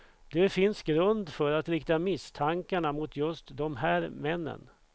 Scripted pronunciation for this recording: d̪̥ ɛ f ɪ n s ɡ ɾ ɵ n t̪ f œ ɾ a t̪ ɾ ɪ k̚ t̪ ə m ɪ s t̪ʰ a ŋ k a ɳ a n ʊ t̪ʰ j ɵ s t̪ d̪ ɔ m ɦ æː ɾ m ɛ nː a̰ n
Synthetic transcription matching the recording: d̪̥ ɛ f ɪ n s ɡ ɾ ɵ n d̪ f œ ɾ a t̪ ɾ ɪ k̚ t̪ a m ɪ s t̪ʰ a ŋ k a ɳ a m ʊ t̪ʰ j ɵ s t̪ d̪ ɔ m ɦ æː ɾ m ɛ nː ə̰ n